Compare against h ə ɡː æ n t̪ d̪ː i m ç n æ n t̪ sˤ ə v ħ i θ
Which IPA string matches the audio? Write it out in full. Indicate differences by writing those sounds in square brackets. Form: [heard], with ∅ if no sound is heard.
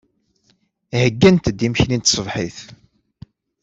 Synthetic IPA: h ə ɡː æ n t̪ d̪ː i m ç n [i] n t̪ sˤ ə v ħ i θ